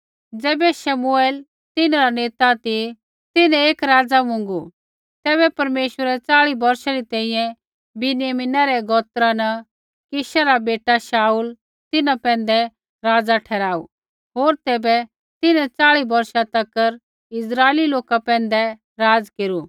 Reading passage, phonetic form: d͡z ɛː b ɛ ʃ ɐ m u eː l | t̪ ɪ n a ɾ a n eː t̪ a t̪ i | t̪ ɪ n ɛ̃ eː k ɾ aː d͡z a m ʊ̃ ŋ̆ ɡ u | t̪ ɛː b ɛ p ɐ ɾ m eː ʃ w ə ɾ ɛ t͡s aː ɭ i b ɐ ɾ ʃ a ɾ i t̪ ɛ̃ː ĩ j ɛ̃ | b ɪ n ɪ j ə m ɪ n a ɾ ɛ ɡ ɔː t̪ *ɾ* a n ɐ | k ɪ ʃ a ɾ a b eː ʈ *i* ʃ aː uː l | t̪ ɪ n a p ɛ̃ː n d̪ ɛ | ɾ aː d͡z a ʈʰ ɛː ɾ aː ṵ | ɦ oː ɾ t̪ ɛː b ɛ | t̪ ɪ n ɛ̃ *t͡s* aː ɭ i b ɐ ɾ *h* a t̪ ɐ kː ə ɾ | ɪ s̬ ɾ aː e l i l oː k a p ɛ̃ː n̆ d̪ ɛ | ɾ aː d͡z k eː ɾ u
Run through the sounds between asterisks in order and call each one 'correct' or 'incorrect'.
correct, incorrect, correct, incorrect

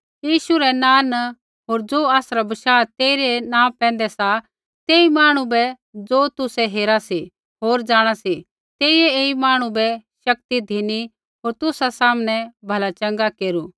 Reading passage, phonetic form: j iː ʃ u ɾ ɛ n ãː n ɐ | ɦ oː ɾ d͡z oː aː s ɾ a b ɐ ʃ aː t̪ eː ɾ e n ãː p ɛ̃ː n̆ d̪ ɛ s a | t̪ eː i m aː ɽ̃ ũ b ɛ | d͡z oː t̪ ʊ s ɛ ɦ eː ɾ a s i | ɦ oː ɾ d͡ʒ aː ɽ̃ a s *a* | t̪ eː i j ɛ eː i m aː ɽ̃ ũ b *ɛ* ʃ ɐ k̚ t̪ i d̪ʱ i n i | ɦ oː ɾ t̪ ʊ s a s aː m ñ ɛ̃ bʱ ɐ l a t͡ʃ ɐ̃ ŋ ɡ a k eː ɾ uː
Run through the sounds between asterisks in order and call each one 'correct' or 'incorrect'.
incorrect, correct

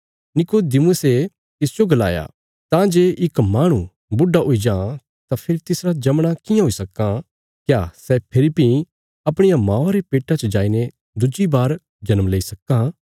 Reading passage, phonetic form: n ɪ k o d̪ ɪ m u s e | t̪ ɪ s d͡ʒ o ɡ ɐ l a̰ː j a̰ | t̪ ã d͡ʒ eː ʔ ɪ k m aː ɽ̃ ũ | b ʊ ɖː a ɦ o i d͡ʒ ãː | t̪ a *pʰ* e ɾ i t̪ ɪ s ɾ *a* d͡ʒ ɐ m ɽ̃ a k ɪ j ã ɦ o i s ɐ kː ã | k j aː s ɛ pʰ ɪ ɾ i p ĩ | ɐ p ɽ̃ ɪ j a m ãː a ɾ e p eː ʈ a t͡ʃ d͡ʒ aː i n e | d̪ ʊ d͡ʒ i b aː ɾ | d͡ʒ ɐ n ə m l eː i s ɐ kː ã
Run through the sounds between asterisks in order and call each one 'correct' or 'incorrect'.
correct, correct

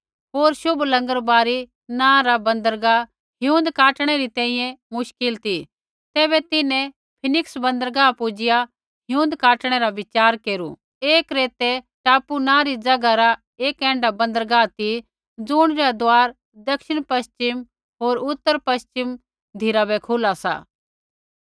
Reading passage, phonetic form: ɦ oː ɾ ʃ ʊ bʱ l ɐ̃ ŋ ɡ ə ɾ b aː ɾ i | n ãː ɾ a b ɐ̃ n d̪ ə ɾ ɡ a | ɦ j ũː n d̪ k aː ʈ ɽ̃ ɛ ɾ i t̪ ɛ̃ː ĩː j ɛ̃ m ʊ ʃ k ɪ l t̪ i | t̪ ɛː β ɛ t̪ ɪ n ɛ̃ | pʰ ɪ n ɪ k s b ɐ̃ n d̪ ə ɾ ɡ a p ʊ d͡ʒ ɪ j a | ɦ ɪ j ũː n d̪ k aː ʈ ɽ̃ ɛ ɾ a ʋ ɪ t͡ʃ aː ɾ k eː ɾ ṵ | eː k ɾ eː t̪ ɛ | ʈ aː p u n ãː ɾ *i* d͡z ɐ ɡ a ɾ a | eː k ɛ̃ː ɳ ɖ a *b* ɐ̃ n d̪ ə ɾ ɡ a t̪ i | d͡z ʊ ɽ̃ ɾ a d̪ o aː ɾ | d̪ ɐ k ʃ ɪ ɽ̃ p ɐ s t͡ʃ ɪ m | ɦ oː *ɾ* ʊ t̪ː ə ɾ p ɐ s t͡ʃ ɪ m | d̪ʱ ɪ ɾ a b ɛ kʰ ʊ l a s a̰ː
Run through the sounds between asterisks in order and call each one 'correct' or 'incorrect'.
correct, correct, correct

